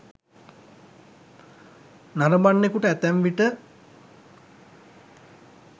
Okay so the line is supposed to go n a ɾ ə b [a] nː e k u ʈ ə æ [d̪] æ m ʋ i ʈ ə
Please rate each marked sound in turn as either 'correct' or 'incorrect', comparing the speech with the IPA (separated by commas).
correct, incorrect